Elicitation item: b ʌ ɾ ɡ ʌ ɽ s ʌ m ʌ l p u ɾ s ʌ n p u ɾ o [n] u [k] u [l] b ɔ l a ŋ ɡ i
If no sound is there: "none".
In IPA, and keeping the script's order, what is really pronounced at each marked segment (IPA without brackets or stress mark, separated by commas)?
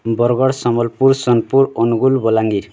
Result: n, ɡ, l